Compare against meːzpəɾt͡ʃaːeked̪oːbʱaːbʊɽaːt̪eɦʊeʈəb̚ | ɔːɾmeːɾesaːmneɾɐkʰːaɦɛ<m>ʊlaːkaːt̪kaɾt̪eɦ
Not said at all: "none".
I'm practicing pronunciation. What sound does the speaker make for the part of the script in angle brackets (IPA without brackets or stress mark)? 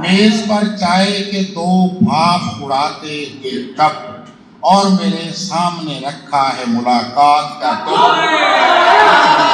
m